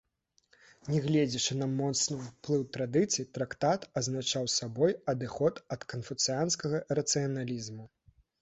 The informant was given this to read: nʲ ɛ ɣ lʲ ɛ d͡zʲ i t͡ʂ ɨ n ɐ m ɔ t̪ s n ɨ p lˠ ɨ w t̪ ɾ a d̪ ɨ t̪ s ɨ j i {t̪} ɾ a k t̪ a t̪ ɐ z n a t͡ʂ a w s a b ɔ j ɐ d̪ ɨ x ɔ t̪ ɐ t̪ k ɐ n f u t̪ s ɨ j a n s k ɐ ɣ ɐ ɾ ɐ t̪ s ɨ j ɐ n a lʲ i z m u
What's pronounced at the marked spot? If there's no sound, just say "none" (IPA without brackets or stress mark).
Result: t̪